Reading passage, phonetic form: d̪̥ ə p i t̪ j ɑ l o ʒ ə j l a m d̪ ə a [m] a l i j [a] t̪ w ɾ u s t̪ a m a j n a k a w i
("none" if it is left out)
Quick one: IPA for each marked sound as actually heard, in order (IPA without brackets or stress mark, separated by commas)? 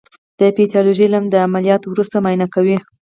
m, ɑ